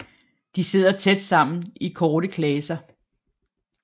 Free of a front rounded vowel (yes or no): yes